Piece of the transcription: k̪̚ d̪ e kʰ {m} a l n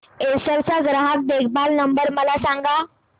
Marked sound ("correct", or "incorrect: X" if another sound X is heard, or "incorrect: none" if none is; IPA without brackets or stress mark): incorrect: b